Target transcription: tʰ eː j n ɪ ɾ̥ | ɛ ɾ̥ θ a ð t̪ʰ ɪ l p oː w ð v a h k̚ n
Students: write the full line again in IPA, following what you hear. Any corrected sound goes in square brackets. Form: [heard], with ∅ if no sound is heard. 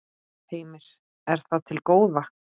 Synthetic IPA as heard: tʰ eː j [m] ɪ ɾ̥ | ɛ ɾ̥ θ a ð t̪ʰ ɪ l [k] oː w ð v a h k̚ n